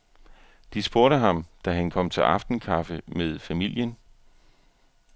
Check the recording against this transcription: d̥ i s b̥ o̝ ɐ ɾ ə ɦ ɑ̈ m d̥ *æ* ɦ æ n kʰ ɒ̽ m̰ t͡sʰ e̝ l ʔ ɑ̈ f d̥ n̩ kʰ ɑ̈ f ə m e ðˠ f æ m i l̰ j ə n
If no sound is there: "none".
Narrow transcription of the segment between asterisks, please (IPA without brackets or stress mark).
æ